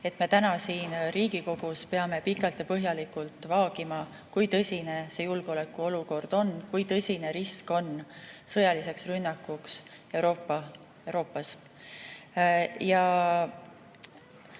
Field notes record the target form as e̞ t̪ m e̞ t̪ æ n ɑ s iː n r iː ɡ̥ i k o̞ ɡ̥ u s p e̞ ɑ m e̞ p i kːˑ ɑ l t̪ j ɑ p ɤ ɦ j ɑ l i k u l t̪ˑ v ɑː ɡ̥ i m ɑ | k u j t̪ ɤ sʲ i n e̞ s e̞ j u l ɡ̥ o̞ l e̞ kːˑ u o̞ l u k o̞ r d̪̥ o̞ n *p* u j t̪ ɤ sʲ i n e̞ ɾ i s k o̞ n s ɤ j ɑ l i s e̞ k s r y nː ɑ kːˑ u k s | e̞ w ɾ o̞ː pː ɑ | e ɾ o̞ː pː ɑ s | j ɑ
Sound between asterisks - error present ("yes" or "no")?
yes